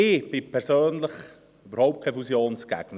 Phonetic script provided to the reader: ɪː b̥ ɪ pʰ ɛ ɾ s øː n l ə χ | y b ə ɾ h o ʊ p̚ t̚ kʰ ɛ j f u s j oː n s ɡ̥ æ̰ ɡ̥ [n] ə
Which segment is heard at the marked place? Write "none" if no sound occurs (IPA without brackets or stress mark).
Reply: n